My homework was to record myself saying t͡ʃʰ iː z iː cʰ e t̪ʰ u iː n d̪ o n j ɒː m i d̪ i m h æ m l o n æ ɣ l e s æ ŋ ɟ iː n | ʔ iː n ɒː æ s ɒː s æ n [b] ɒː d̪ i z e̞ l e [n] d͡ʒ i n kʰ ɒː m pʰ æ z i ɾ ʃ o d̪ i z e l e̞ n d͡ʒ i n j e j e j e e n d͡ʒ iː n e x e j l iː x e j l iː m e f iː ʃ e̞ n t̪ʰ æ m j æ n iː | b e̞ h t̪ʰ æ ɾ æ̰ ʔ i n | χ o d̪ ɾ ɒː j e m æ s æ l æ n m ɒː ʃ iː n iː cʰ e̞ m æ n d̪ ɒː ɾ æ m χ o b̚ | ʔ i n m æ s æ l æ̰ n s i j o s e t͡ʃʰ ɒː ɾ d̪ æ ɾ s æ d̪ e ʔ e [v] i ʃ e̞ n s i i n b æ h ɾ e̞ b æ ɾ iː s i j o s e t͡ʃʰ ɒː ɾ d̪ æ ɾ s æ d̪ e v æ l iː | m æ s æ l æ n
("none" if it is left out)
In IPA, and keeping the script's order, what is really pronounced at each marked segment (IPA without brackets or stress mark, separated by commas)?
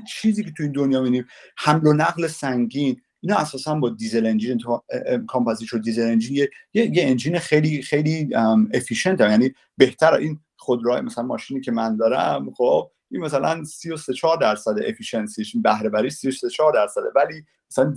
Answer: b, n, f